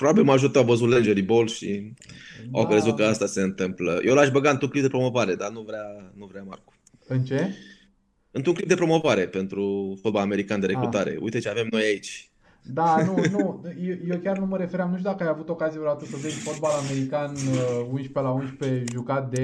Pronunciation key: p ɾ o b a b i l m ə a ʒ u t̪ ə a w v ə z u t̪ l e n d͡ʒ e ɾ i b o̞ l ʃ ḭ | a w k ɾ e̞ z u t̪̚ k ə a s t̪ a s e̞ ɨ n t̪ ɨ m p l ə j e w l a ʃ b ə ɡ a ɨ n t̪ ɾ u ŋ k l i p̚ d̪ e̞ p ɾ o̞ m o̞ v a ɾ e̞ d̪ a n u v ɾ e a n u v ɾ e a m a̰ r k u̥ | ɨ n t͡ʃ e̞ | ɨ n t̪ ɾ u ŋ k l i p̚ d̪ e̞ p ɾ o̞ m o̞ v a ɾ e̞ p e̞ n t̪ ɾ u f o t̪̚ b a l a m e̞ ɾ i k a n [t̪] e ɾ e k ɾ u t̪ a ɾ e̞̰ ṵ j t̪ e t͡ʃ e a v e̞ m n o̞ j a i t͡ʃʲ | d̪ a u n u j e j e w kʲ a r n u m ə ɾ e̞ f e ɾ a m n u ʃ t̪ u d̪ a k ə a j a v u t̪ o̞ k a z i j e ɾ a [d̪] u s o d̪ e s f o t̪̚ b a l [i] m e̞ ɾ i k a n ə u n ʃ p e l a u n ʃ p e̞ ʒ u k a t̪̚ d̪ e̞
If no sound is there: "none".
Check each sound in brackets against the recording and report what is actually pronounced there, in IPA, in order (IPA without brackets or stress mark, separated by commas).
d̪, t̪, a